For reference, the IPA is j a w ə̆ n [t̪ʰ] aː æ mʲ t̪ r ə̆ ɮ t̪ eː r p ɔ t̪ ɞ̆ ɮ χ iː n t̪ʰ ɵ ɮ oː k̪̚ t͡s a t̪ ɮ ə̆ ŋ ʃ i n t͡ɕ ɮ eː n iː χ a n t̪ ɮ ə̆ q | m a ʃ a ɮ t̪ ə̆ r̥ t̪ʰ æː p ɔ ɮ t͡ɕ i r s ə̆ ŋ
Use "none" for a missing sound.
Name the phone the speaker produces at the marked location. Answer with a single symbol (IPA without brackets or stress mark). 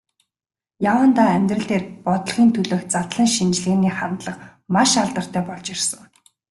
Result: t̪